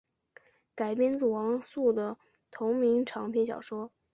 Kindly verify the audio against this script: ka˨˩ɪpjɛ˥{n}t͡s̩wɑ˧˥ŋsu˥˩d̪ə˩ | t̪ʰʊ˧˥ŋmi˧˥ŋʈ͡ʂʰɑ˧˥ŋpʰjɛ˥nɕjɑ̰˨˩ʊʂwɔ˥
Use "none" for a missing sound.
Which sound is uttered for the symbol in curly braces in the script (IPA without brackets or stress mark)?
n